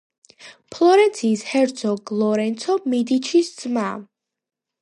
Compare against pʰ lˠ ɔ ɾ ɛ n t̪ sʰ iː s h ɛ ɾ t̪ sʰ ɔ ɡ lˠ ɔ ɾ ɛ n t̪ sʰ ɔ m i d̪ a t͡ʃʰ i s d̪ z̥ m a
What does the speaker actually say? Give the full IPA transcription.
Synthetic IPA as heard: pʰ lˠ ɔ ɾ ɛ n t̪ sʰ iː s h ɛ ɾ t̪ sʰ ɔ ɡ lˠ ɔ ɾ ɛ n t̪ sʰ ɔ m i d̪ i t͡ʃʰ i s d̪ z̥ m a